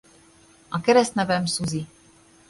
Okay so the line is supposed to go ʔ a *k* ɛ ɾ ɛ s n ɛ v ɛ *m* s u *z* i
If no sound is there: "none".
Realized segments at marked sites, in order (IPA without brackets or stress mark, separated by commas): k, m, z